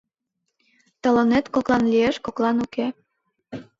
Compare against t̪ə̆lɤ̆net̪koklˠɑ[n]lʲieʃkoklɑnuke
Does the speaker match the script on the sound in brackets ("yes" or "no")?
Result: yes